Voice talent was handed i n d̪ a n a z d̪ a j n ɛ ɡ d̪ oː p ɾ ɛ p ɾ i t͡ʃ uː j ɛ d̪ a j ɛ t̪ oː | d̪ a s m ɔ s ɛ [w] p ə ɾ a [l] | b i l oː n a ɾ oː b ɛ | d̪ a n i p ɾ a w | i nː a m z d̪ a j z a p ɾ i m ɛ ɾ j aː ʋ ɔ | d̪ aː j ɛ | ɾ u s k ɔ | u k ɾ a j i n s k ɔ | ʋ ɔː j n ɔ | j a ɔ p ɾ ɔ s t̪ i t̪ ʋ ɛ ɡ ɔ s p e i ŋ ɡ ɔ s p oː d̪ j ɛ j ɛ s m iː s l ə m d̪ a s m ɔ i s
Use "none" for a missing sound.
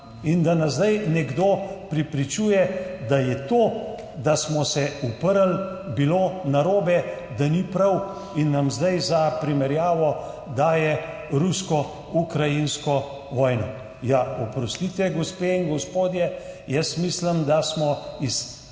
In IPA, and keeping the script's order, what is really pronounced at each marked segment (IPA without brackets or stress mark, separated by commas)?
u, l